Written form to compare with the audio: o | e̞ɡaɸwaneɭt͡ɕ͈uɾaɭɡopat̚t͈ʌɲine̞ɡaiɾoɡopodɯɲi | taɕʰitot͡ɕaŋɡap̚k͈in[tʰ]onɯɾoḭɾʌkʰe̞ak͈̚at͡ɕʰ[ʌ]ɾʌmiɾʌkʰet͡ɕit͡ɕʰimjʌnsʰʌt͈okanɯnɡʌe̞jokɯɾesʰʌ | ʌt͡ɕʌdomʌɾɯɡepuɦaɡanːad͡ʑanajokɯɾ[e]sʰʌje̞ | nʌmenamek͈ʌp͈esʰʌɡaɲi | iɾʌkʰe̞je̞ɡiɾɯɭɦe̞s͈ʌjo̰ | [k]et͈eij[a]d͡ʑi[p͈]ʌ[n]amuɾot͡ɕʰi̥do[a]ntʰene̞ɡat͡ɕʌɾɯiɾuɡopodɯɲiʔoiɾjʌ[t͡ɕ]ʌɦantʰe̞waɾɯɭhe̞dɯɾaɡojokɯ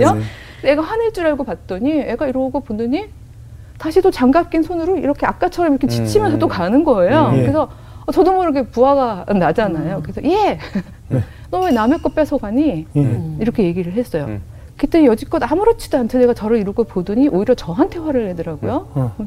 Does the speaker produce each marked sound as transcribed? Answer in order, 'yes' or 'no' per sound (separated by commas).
no, yes, yes, yes, no, no, no, yes, yes